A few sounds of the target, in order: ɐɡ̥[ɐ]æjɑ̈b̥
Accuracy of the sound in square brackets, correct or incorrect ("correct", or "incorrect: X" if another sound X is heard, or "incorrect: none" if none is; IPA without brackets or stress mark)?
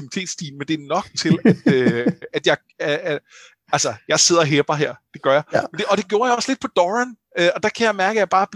incorrect: ə